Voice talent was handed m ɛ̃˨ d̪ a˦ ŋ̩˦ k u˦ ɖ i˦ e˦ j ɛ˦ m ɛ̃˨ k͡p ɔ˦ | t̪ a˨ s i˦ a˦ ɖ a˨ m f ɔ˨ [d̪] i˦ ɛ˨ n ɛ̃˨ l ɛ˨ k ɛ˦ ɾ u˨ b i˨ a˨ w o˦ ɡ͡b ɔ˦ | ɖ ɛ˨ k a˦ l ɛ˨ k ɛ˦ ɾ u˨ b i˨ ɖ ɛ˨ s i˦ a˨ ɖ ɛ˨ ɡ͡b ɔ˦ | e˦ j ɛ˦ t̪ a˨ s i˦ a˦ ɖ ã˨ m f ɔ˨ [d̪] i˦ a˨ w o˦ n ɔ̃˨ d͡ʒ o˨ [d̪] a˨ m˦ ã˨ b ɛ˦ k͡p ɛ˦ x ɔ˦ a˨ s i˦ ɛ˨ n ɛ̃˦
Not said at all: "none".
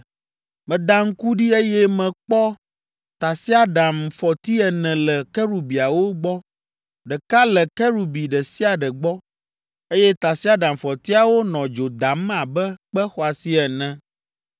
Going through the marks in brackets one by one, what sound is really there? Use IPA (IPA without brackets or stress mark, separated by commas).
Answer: t̪, t̪, d̪